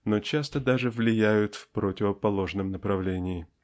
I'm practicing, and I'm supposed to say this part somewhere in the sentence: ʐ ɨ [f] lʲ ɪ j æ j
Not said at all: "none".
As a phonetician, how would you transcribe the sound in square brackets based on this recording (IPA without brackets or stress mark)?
v